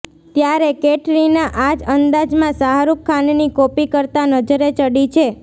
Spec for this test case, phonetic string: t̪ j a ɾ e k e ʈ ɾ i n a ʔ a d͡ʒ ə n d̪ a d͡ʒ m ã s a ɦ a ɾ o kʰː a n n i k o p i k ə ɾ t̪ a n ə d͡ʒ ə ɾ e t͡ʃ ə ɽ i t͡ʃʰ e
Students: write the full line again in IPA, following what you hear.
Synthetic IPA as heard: t̪ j a ɾ e k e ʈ ɾ i n a ʔ a d͡ʒ ə n d̪ a d͡ʒ m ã s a ɦ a ɾ u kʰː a n n i k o p i k ə ɾ t̪ a n ə d͡ʒ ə ɾ e t͡ʃ ə ɽ i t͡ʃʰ e